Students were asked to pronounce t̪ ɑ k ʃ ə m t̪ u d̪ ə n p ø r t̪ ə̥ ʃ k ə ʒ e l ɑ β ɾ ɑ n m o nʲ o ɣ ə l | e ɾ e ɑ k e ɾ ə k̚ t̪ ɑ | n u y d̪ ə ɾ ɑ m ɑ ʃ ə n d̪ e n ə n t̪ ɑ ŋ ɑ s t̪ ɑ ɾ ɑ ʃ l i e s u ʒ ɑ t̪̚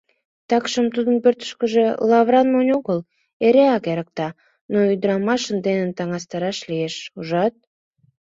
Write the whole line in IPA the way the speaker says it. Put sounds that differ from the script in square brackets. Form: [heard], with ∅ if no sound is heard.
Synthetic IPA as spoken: t̪ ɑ k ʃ ə m t̪ u d̪ ə n p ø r t̪ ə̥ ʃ k ə ʒ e l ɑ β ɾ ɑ n m o nʲ o ɣ ə l | e ɾ e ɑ k e ɾ ə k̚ t̪ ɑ | n [o] y d̪ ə ɾ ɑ m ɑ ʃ ə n d̪ e n ə n t̪ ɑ ŋ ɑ s t̪ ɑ ɾ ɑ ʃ l i e [ʃ] u ʒ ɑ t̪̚

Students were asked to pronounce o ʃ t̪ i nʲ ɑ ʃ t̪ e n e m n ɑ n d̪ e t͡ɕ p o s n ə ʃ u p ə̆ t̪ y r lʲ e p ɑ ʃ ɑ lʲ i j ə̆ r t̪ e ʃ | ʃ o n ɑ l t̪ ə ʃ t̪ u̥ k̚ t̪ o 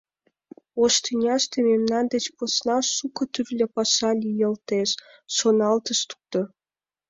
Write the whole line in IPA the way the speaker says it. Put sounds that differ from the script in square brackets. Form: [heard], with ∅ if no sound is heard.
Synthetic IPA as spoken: o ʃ t̪ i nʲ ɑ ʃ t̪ e [m] e m n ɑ n d̪ e t͡ɕ p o s n [ɑ] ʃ u [k] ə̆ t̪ y r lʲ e p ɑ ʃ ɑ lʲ i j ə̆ [l] t̪ e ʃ | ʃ o n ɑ l t̪ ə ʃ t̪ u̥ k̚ t̪ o

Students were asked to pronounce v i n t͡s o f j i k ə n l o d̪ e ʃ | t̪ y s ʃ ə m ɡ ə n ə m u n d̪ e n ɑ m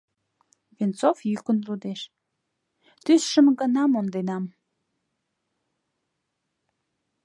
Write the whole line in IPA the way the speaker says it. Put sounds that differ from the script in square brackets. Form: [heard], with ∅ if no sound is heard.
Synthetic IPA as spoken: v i n t͡s o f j [y] k ə n l [u] d̪ e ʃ | t̪ y s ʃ ə m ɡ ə n [ɑ] m [o] n d̪ e n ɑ m

